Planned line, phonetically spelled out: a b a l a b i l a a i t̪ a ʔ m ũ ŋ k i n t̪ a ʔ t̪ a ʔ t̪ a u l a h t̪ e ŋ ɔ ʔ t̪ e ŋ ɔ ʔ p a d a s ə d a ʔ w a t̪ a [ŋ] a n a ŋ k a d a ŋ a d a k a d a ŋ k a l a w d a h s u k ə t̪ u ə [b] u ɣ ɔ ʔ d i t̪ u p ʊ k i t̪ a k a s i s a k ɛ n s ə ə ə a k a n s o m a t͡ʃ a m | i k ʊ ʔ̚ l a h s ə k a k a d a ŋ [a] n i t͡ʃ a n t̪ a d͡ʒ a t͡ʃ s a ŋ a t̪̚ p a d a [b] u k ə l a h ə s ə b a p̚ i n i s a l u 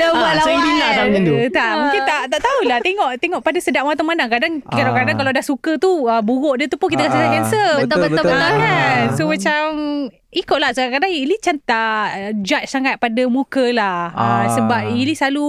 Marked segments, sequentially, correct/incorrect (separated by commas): incorrect, correct, incorrect, incorrect